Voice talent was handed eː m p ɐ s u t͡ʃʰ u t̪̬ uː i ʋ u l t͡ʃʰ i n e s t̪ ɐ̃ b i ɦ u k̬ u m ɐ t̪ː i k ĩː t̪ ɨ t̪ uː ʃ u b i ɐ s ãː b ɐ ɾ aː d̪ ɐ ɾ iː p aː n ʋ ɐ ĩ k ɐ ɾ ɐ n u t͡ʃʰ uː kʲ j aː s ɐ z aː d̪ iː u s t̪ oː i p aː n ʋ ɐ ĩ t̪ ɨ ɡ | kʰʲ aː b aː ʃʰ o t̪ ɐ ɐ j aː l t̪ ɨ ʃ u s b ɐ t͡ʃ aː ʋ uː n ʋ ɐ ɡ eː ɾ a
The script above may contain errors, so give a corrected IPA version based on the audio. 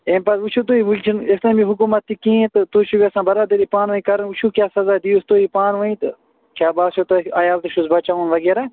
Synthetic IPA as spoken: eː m p ɐ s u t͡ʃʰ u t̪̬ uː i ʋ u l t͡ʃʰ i n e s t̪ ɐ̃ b i ɦ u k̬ u m ɐ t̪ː i k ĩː t̪ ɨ t̪ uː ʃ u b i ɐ s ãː b ɐ ɾ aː d̪ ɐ ɾ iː p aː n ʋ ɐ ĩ k ɐ ɾ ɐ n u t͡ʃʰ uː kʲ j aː s ɐ z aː d̪ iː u s t̪ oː i p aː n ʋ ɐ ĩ t̪ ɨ | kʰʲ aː b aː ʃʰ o t̪ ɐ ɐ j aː l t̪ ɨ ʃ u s b ɐ t͡ʃ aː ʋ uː n ʋ ɐ ɡ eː ɾ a